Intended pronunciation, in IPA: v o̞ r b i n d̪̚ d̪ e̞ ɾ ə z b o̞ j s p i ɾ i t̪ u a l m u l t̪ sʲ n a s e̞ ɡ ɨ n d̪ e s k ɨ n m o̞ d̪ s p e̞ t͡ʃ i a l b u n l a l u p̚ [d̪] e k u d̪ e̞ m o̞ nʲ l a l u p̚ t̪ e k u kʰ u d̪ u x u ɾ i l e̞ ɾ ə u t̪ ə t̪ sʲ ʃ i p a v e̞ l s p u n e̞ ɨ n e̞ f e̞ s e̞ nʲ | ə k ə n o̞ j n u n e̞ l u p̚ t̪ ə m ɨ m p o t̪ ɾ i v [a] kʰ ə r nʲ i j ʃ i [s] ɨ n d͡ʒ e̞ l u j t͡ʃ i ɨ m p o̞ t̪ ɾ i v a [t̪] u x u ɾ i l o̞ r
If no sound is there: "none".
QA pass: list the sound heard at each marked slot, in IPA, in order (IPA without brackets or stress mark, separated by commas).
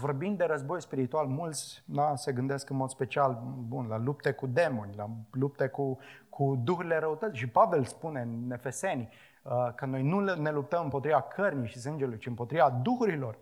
t̪, a, s, d̪